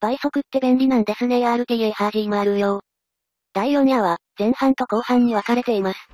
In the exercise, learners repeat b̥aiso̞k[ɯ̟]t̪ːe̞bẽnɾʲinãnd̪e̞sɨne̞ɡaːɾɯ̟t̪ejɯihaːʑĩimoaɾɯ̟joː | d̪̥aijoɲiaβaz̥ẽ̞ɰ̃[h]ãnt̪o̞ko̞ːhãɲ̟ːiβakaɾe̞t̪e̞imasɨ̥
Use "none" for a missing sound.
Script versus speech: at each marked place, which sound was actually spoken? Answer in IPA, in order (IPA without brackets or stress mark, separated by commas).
ɯ̟, h